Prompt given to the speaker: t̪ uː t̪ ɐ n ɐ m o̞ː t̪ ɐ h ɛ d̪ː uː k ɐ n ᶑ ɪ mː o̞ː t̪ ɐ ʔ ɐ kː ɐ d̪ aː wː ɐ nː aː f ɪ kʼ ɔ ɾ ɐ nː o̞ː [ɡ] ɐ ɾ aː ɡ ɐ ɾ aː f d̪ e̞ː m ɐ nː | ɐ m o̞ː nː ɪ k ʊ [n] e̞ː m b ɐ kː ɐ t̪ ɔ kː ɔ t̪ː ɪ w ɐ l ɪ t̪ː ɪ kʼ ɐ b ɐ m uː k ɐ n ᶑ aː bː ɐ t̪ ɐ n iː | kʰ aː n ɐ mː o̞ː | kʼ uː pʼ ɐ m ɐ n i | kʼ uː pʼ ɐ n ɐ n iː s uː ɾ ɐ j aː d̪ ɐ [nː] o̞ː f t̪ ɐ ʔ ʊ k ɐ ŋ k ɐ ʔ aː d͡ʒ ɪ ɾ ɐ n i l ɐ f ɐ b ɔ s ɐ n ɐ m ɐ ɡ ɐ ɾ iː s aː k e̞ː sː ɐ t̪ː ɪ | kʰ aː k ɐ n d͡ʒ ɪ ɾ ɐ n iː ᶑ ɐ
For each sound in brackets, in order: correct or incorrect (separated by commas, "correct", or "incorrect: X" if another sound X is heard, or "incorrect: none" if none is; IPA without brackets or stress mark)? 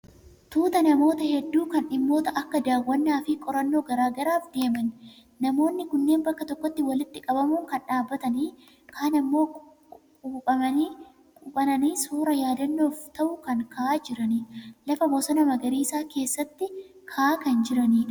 correct, incorrect: nː, correct